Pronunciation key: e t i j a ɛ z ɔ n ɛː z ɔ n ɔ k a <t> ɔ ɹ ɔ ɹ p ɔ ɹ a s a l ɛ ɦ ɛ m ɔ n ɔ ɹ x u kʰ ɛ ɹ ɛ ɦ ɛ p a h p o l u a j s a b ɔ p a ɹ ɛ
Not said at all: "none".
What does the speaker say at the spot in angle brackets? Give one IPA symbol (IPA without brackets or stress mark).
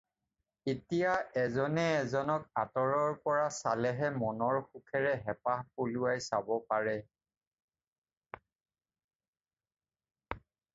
t